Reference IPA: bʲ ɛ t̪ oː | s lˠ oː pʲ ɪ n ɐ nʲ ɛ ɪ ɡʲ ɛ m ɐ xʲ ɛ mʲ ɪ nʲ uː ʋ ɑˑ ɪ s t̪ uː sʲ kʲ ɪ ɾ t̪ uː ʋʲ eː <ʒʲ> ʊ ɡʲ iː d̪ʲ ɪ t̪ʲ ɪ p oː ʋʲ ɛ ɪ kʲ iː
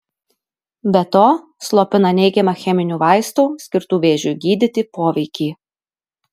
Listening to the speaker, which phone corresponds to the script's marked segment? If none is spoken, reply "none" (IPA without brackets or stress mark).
ʒʲ